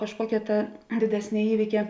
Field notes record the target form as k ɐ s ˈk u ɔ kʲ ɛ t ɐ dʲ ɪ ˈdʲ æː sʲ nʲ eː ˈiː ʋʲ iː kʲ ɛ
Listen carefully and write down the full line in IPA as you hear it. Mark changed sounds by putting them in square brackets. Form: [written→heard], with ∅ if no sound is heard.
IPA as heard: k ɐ [s→ʃ] ˈk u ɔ kʲ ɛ t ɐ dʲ ɪ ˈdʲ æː sʲ nʲ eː ˈiː ʋʲ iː kʲ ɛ